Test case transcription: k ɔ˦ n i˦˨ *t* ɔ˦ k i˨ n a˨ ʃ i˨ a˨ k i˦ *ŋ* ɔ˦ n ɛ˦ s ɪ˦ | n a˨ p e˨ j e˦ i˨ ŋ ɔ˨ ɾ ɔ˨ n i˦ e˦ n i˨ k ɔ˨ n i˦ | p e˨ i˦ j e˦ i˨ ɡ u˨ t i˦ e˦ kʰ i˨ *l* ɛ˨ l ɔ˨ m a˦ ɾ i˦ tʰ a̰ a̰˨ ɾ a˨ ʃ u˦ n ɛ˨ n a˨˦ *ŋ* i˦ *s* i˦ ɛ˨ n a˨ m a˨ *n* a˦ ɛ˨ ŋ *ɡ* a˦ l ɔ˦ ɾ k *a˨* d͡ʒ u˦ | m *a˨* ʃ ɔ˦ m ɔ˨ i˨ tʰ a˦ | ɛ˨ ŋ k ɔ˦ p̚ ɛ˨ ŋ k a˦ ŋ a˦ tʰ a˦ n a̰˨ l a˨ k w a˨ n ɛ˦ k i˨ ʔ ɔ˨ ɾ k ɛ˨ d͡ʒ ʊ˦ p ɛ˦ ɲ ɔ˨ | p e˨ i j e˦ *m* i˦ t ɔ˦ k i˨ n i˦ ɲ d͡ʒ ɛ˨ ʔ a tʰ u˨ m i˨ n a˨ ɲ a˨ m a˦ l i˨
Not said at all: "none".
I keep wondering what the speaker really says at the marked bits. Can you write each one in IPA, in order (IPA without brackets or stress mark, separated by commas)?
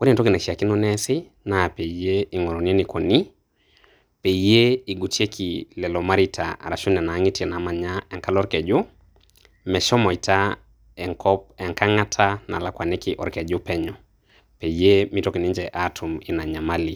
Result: t, n, l, ŋ, t, ɲ, k, ɛ˨, ɛ˨, m